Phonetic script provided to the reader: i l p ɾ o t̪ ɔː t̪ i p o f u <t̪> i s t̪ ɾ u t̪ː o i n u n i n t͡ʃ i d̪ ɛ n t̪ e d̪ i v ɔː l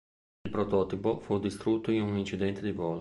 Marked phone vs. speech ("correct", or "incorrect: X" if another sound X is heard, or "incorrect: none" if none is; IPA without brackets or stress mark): incorrect: d̪